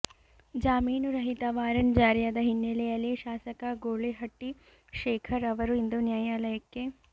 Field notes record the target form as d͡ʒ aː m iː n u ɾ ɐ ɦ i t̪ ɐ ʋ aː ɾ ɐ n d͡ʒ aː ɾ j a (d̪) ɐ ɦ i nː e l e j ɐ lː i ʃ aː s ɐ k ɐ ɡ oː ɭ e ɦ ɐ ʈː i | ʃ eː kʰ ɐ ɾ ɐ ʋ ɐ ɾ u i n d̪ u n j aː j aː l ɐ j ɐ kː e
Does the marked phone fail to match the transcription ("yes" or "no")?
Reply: no